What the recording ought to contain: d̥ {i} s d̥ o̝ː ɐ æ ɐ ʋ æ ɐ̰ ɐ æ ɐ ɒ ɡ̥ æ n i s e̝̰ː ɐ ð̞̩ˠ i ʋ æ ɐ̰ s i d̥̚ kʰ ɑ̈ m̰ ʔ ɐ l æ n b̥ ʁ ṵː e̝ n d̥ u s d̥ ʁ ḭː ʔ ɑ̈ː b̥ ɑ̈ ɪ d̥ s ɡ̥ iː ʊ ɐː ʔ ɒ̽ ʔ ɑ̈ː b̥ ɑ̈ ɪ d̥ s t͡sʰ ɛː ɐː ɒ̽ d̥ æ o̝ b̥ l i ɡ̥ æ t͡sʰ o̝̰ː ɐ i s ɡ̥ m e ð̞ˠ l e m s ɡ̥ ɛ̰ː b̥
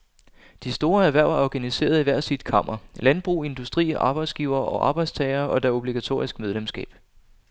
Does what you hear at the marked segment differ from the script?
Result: no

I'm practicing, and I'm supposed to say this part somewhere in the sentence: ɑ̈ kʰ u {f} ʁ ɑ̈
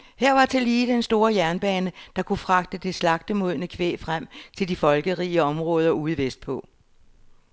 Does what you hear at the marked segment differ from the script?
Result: no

